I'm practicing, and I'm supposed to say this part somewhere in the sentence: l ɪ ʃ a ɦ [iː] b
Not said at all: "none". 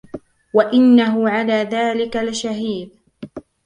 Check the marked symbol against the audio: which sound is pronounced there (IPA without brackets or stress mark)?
iː